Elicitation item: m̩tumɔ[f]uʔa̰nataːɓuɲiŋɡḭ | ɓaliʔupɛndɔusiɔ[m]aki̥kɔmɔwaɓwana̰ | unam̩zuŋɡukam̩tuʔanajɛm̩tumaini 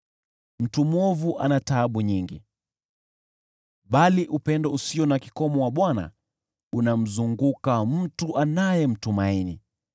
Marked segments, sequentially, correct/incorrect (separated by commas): incorrect, incorrect